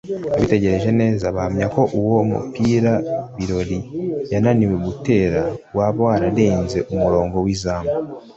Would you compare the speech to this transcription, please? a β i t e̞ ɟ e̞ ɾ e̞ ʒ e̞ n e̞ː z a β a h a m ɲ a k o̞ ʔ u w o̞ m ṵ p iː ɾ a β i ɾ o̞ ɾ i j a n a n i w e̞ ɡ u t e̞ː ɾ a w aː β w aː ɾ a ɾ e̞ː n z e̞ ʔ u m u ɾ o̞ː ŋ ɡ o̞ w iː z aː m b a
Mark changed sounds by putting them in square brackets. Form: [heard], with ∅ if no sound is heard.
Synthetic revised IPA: a β i t e̞ ɟ e̞ ɾ e̞ ʒ e̞ n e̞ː z a β a h a m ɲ a k o̞ ʔ u w o̞ m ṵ p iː ɾ a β i ɾ o̞ ɾ i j a n a n i w e̞ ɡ u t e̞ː ɾ a w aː β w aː ɾ a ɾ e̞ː n z e̞ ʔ u m u ɾ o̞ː ŋ ɡ o̞ w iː z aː m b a